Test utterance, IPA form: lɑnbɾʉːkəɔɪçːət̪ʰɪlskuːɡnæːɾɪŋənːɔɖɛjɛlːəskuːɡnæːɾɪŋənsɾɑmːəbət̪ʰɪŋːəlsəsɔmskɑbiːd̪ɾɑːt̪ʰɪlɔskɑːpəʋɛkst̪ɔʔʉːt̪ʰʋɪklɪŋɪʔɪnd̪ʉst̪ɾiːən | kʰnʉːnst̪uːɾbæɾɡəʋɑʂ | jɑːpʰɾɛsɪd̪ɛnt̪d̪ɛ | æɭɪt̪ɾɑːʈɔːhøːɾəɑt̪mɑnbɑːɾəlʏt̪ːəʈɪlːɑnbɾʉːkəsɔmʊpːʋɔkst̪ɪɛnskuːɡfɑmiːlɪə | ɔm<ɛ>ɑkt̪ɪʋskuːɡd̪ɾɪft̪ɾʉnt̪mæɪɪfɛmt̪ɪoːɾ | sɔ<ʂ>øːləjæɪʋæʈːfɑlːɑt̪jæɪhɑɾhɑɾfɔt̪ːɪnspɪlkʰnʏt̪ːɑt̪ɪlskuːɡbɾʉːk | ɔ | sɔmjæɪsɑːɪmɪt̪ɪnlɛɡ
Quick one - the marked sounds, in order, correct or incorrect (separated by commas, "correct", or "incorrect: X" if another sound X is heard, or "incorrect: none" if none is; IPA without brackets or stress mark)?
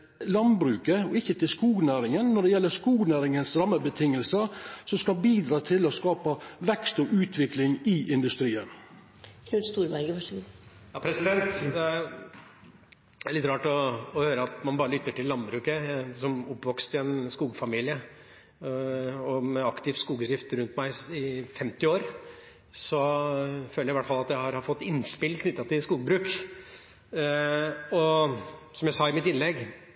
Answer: correct, incorrect: f